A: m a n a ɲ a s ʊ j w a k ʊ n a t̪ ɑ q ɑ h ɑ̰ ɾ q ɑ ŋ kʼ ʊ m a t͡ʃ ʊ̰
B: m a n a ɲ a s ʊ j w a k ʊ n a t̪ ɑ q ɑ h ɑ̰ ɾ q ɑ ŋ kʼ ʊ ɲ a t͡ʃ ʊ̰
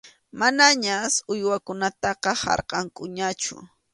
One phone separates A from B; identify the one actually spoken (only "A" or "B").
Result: B